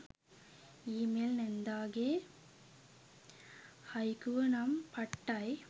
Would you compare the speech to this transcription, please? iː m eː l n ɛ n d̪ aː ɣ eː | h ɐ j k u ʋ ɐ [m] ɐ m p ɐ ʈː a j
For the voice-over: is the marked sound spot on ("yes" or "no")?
no